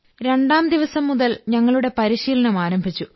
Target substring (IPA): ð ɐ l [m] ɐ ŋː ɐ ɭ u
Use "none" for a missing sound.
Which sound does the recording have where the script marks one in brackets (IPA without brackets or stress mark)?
ɲ